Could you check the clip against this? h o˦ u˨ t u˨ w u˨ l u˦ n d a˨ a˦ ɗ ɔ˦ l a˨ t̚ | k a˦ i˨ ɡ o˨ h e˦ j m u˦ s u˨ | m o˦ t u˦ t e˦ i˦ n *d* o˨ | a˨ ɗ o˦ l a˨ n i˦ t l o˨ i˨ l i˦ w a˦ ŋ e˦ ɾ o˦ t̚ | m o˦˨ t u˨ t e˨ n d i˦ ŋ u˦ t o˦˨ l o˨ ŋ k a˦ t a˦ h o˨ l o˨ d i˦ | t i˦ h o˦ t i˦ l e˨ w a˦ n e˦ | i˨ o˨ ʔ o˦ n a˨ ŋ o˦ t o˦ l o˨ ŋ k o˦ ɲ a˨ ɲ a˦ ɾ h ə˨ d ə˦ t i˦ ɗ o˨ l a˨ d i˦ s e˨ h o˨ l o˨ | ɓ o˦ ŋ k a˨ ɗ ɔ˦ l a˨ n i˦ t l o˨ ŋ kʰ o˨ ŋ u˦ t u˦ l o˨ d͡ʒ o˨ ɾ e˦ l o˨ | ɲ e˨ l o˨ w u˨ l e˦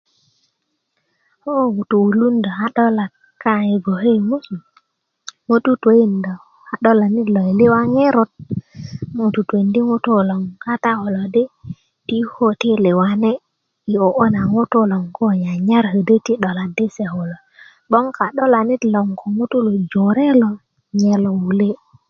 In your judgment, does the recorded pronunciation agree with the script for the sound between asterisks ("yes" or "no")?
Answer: yes